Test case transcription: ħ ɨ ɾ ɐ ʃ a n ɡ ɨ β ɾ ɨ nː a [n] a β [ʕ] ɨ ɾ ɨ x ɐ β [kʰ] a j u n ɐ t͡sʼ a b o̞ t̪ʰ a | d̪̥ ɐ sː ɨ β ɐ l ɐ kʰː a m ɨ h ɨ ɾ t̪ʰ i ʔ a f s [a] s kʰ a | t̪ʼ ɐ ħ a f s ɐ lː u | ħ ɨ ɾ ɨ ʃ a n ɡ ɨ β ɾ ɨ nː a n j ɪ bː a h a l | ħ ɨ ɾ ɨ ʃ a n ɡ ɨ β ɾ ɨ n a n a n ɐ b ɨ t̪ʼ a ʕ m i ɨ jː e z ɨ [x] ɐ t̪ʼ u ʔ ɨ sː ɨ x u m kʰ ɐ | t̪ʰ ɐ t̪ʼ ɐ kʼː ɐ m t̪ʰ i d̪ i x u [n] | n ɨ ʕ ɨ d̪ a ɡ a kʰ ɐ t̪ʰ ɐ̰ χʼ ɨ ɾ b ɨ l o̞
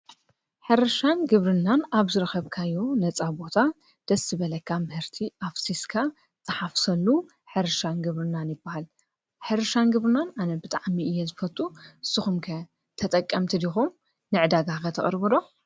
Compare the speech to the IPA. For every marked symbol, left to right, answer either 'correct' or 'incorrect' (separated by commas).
correct, incorrect, correct, incorrect, incorrect, incorrect